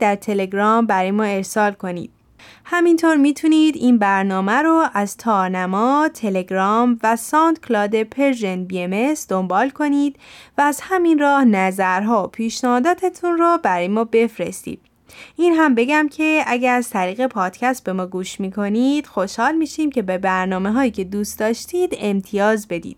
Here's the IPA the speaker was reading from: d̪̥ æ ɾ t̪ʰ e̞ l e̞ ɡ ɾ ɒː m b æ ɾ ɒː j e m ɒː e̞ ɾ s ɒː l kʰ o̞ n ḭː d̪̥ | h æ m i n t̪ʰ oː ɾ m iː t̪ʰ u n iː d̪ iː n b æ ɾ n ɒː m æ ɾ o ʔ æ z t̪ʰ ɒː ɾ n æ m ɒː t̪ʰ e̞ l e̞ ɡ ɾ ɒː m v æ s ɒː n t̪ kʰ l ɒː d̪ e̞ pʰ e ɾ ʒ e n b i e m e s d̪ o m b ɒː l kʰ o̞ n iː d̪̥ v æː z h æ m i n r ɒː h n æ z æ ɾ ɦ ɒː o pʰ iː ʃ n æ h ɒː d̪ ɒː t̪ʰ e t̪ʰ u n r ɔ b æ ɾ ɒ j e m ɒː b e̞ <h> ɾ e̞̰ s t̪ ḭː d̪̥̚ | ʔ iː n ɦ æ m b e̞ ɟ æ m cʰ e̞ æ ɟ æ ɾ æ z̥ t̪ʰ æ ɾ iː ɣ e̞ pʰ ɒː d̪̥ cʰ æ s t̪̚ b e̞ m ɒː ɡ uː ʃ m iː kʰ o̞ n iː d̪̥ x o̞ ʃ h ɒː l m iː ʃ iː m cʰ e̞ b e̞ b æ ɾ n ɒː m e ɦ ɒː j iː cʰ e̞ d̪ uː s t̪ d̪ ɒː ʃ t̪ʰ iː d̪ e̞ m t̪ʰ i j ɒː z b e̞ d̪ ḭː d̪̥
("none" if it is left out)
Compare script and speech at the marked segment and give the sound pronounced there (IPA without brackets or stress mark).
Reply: f